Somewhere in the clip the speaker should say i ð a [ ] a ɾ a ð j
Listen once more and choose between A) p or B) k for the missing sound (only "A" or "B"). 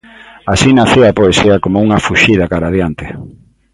B